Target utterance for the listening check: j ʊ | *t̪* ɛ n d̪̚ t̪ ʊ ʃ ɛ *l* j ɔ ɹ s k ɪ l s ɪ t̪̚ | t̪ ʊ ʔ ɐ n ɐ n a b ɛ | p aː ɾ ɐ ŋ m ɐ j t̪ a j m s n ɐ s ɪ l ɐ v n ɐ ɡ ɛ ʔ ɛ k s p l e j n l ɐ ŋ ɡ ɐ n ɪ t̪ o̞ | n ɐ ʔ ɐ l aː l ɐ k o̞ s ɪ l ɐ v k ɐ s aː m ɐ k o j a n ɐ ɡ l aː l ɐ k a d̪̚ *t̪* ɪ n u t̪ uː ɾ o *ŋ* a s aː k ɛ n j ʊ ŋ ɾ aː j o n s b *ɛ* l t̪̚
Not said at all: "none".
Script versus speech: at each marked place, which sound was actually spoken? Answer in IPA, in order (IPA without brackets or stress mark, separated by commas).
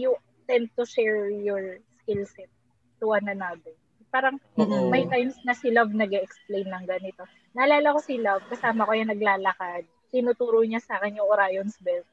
t̪, ɹ, t̪, ɲ, ɛ